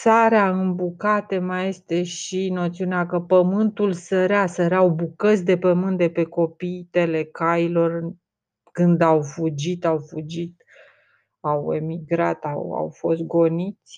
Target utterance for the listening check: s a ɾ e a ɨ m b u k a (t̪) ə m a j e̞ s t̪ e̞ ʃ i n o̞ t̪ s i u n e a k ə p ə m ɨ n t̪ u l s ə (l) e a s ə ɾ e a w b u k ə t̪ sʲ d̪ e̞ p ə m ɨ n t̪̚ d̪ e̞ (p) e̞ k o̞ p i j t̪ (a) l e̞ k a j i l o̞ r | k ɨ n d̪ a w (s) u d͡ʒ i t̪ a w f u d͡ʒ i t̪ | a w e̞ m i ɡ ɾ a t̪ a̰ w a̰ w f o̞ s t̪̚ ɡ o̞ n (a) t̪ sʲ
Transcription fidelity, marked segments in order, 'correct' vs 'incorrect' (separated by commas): correct, incorrect, correct, incorrect, incorrect, incorrect